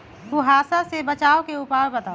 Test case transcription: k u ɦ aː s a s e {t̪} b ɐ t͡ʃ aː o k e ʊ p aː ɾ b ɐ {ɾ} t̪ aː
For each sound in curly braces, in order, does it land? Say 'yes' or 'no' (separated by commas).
no, no